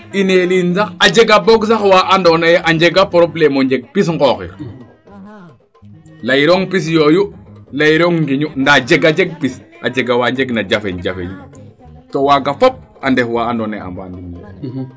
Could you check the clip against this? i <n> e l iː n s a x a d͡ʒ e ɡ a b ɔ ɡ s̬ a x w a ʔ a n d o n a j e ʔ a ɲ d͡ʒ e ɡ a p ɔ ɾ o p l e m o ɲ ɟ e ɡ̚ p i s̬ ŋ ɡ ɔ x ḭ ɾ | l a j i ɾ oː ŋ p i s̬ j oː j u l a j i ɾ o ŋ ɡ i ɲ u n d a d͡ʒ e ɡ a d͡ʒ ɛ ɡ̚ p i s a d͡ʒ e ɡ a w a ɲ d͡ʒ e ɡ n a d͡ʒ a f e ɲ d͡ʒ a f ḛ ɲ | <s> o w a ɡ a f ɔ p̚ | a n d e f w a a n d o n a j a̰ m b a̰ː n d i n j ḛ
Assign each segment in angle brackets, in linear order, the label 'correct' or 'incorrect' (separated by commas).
correct, incorrect